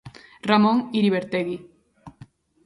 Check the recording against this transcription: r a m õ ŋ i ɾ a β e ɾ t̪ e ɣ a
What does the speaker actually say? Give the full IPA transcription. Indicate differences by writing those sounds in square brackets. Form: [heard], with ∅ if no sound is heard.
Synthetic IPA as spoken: r a m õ ŋ i ɾ [i] β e ɾ t̪ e ɣ [i]